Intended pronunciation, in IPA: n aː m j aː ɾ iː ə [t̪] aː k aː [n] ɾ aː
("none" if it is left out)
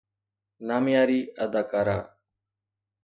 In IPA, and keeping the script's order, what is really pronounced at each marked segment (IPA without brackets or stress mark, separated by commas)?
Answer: d̪, none